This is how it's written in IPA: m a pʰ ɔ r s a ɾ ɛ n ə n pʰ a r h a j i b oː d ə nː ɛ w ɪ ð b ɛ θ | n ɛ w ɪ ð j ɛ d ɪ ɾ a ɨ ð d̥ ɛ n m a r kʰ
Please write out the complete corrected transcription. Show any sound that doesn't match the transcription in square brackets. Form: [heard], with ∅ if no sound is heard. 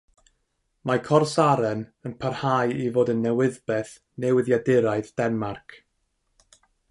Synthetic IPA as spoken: m a [kʰ] ɔ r s a ɾ ɛ n ə n pʰ a r h a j i [v] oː d ə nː ɛ w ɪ ð b ɛ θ | n ɛ w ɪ ð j [a] d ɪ ɾ a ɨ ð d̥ ɛ n m a r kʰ